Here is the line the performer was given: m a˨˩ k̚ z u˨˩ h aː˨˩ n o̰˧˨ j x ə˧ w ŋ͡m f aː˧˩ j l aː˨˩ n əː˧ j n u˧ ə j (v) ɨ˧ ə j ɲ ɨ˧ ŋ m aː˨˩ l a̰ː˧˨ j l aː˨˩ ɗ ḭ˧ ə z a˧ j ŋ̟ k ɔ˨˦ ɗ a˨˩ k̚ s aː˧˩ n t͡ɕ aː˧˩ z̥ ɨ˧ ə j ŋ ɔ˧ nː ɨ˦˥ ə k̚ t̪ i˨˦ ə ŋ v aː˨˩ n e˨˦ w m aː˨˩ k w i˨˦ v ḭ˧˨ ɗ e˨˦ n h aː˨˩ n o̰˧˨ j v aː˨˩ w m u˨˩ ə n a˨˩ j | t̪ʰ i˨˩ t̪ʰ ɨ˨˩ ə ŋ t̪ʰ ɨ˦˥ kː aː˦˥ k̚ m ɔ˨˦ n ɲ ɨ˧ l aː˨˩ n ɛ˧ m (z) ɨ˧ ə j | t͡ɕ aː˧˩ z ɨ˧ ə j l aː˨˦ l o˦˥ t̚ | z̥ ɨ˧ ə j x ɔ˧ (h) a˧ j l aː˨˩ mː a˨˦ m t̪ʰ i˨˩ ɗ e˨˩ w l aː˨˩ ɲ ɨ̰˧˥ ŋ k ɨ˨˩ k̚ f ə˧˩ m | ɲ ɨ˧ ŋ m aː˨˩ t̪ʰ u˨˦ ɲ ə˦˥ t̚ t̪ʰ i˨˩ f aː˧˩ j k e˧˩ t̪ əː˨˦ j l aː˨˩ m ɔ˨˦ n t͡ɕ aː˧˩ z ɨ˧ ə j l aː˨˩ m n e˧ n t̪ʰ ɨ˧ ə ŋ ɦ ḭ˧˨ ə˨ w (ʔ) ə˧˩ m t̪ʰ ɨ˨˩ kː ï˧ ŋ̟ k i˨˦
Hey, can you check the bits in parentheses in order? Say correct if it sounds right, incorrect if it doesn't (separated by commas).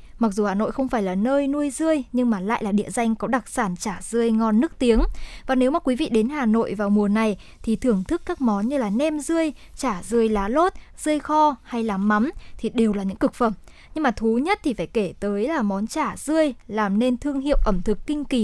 incorrect, correct, correct, correct